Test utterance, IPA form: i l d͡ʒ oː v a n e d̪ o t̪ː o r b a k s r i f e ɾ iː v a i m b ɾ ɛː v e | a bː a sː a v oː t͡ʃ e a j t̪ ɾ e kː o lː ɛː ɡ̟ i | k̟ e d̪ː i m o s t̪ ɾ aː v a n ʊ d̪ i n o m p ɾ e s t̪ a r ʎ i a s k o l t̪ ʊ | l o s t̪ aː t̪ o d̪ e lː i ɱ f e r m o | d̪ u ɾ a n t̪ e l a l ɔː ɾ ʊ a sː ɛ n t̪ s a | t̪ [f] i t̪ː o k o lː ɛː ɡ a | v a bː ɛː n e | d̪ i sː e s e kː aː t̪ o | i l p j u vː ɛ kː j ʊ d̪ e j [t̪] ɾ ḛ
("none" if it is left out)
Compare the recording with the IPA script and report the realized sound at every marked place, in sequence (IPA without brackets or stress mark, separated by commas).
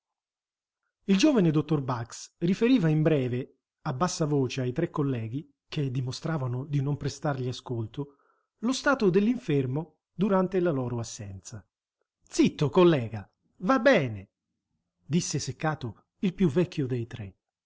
s, t̪